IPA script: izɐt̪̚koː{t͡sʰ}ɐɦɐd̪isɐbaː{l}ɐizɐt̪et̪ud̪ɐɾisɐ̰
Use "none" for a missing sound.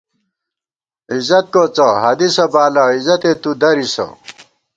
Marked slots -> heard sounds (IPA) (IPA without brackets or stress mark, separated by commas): t͡s, l